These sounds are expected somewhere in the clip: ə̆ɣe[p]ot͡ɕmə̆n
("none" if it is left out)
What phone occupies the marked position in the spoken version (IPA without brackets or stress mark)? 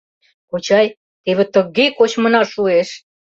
k